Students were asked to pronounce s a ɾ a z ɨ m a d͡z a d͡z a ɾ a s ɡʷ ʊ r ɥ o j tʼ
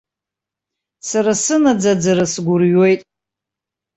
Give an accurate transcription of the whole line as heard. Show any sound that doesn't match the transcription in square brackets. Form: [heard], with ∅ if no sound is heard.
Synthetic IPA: s a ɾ a [s] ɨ [n] a d͡z a d͡z a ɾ a s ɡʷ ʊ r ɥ o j tʼ